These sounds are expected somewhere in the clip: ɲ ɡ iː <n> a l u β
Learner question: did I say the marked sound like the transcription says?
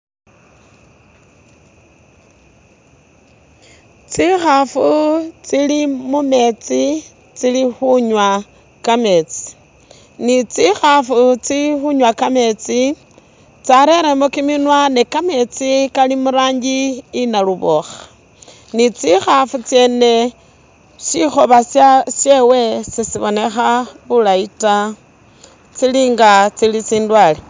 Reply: yes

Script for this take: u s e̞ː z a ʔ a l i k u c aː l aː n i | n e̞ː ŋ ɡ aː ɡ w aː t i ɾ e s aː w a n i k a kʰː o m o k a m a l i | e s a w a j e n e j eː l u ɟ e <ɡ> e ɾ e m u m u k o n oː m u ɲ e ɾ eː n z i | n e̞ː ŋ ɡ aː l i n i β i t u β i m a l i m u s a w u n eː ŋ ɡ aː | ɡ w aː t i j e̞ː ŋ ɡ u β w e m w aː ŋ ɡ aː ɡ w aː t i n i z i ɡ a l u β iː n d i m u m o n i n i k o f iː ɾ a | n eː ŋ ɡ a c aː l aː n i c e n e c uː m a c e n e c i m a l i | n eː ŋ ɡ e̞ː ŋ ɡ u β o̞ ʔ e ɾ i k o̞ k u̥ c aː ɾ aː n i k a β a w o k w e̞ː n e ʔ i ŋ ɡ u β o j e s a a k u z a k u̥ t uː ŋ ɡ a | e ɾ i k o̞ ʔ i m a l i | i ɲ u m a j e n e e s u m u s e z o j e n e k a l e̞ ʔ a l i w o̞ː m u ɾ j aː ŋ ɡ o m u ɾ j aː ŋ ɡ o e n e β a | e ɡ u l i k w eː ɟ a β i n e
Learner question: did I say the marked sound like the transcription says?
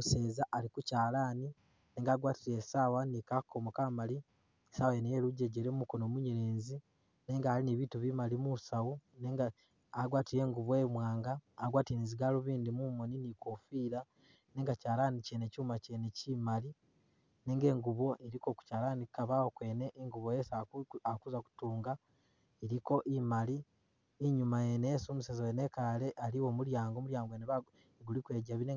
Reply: no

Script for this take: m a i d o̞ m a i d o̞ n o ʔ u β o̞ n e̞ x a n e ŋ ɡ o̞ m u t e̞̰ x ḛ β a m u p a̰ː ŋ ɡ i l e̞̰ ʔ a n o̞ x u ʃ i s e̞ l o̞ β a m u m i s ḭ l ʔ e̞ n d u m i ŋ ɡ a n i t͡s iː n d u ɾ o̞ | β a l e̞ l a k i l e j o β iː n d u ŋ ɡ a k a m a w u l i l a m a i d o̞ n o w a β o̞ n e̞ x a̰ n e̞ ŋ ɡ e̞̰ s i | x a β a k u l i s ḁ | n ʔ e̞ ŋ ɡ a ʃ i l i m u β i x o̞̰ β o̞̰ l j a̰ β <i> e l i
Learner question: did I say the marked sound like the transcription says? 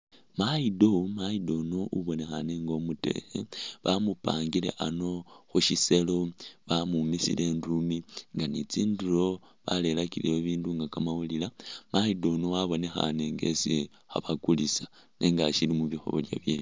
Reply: no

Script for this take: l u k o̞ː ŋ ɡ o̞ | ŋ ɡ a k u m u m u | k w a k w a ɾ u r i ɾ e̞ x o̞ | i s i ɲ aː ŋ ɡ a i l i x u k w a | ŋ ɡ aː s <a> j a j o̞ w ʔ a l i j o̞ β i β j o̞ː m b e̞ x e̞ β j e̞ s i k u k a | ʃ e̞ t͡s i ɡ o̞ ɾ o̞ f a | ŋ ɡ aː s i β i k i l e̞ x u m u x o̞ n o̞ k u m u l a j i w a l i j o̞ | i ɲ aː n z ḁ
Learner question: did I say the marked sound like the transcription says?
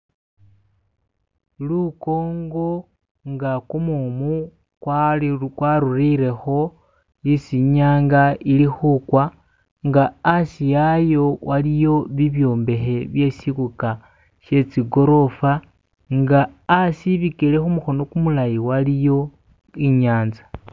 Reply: no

